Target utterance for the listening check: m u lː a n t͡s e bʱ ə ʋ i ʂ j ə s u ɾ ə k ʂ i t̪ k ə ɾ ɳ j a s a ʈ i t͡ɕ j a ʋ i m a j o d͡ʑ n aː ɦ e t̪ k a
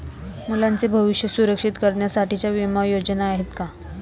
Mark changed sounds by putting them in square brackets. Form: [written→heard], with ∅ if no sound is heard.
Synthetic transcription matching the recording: m u [lː→l] a n t͡s e bʱ ə ʋ i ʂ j ə s u ɾ ə k ʂ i t̪ k ə ɾ ɳ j a s a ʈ i t͡ɕ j a ʋ i m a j o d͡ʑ n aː ɦ e t̪ k a